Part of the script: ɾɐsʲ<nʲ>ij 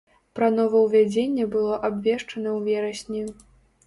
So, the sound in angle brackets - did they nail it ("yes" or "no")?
yes